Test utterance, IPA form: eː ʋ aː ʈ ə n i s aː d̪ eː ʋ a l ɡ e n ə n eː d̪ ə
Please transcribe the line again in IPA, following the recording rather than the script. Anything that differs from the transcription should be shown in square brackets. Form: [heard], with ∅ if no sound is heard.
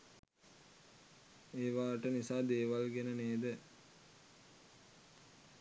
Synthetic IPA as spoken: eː ʋ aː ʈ ə n i s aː d̪ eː ʋ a l ɡ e n ə n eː d̪ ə